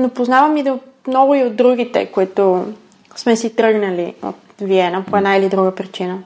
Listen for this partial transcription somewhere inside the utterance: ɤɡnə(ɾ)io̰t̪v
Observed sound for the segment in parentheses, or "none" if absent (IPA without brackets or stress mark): l